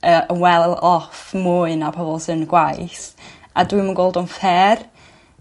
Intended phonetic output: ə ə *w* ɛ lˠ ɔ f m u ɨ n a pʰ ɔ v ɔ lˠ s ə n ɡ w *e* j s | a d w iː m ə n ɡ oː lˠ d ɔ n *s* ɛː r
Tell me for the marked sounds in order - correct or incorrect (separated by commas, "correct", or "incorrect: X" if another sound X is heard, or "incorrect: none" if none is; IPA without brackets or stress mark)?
correct, incorrect: a, incorrect: f